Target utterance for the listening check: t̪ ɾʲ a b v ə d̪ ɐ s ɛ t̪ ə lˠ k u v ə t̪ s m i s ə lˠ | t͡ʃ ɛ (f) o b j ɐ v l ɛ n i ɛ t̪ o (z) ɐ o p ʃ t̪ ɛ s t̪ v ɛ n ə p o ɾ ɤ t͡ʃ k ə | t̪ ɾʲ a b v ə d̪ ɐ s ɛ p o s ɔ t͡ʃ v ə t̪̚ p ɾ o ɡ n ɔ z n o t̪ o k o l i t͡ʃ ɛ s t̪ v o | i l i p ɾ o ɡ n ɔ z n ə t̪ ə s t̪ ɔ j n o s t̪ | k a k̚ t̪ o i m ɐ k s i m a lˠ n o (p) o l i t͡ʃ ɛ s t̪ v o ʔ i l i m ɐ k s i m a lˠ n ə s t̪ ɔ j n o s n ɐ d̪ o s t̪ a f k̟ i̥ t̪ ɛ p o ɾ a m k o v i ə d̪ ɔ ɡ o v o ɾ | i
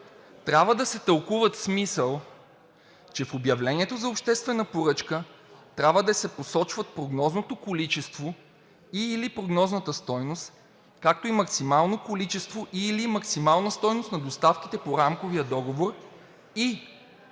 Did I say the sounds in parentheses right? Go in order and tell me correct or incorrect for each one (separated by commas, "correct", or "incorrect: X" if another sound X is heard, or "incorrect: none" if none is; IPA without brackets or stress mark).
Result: correct, correct, incorrect: k